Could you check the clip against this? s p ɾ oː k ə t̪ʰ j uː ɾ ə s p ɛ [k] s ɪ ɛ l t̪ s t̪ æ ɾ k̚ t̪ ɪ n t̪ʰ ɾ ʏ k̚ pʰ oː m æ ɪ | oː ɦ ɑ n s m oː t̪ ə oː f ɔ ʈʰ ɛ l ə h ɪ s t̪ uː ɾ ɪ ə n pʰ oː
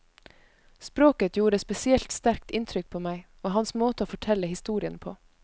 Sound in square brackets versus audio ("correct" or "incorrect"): incorrect